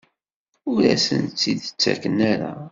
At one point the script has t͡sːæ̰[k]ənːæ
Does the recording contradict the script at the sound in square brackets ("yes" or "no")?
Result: no